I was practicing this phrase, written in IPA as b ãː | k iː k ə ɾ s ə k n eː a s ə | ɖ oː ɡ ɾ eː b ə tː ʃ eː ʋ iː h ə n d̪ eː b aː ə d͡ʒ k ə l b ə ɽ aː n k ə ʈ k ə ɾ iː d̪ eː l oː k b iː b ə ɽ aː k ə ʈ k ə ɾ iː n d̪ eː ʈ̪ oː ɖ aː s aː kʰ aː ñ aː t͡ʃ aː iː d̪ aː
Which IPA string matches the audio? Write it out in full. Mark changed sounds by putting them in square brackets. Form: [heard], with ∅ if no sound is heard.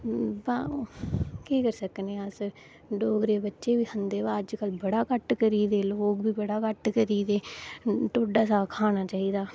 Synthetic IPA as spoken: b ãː | k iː k ə ɾ s ə k n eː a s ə | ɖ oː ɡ ɾ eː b ə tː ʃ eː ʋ iː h ə n d̪ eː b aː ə d͡ʒ k ə l b ə ɽ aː [∅] k ə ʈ k ə ɾ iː d̪ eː l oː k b iː b ə ɽ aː k ə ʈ k ə ɾ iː [∅] d̪ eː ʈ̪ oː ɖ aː s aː kʰ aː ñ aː t͡ʃ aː iː d̪ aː